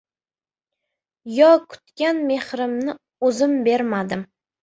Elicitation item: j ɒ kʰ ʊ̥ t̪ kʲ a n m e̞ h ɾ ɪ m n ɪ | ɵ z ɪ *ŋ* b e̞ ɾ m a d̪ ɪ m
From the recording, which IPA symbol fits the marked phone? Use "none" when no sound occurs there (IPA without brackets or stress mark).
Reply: m